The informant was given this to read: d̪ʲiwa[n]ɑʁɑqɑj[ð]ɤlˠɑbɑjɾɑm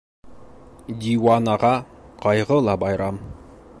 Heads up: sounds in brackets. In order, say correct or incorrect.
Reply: correct, incorrect: ʁ

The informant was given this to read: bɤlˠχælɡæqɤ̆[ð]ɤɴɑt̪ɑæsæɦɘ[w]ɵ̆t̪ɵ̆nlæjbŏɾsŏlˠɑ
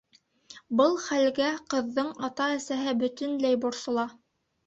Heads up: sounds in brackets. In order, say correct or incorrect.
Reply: incorrect: ðː, incorrect: b

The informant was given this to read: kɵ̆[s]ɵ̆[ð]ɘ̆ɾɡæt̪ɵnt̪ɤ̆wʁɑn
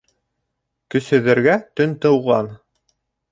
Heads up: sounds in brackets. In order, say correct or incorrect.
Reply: correct, correct

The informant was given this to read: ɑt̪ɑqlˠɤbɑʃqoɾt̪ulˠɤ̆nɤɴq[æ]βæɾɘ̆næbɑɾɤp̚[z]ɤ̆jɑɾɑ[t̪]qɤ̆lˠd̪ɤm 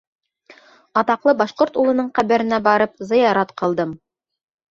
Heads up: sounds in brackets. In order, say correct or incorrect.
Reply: correct, correct, correct

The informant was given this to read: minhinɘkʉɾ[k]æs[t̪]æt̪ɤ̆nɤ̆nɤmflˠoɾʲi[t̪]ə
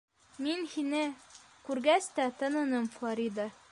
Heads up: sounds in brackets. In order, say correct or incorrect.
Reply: incorrect: ɡ, correct, incorrect: d̪

